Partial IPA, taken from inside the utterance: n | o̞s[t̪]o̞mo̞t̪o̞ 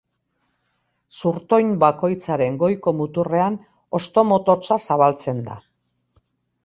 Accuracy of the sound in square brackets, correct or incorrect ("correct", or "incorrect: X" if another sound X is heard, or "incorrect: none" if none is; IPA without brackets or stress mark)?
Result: correct